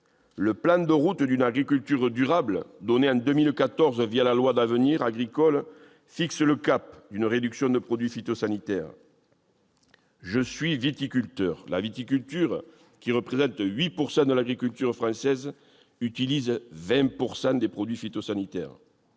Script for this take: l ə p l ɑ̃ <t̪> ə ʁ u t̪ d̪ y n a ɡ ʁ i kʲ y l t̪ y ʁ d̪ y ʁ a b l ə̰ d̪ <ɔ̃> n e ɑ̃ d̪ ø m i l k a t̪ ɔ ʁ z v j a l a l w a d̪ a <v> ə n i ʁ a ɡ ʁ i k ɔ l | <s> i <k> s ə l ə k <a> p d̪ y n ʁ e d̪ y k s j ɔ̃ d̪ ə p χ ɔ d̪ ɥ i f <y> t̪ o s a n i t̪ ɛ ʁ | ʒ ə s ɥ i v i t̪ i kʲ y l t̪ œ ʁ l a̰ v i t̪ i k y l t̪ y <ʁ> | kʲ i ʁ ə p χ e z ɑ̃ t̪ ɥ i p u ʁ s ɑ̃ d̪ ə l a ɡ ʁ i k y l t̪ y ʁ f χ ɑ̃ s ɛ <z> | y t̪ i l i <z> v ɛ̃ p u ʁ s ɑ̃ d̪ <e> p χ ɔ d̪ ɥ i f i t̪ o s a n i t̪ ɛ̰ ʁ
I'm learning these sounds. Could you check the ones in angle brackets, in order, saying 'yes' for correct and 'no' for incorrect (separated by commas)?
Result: no, no, yes, no, yes, yes, no, yes, yes, yes, yes